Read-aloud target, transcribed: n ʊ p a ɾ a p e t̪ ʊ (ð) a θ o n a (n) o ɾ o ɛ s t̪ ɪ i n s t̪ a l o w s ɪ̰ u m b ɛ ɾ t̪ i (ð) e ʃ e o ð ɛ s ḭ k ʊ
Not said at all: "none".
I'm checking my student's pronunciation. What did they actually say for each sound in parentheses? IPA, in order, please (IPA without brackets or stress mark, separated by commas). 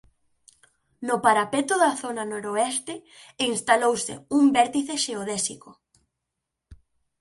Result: ð, n, θ